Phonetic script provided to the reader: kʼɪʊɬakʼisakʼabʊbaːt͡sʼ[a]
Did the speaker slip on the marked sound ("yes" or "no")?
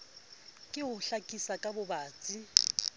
yes